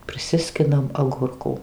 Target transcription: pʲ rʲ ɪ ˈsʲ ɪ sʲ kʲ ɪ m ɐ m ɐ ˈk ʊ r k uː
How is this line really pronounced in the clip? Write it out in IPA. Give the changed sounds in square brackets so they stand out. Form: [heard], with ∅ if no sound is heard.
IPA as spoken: pʲ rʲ ɪ ˈsʲ ɪ sʲ kʲ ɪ [n] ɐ m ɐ [ˈɡ] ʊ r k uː